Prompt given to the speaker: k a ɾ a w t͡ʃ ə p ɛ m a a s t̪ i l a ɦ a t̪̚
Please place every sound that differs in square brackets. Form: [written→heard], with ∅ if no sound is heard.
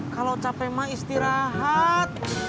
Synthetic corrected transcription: k a [ɾ→l] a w t͡ʃ [ə→a] p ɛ m a [a→i] s t̪ i [l→ɾ] a ɦ a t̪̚